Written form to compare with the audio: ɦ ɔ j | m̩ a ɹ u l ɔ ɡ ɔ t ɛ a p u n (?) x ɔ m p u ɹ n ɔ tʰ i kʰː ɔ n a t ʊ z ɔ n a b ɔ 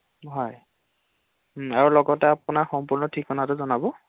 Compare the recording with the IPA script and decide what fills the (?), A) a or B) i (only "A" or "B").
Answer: A